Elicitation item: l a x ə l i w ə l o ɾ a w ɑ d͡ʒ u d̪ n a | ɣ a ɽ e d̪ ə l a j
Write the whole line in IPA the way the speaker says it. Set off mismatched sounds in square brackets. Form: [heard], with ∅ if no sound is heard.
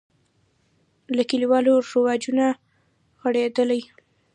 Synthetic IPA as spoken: l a [k] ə l i w [ɑ] l o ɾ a w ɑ d͡ʒ u [∅] n a | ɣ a ɽ e d̪ ə l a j